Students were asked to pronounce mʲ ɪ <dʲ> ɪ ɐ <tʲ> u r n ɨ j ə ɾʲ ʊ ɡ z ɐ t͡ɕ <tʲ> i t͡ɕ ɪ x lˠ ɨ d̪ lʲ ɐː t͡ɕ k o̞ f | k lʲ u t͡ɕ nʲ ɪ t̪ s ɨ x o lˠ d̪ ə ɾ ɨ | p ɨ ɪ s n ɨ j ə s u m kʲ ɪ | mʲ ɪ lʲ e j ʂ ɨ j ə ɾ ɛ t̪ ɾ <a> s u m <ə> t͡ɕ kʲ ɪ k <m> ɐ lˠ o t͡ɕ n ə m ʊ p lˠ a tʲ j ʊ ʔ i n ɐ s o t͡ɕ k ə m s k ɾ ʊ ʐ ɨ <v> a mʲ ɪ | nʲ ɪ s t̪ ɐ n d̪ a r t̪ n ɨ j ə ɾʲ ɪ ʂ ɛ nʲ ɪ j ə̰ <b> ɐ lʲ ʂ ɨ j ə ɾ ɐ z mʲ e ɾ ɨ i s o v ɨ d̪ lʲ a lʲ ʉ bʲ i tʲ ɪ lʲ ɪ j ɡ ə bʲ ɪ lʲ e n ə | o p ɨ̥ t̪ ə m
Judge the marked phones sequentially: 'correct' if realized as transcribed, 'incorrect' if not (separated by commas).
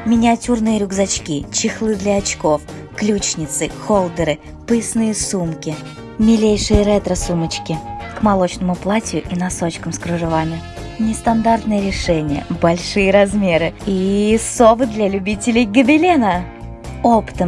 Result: incorrect, correct, incorrect, incorrect, correct, correct, correct, correct